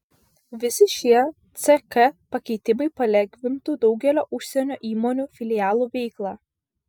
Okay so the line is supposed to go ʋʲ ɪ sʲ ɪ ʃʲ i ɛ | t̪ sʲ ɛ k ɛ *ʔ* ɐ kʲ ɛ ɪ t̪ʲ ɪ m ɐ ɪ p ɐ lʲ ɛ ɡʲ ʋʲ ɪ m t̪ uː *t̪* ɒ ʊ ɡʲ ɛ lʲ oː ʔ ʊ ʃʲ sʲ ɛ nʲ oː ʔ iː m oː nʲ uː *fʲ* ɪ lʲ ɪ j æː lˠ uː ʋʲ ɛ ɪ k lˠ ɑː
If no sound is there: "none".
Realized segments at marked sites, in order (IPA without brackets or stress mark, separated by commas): p, d̪, fʲ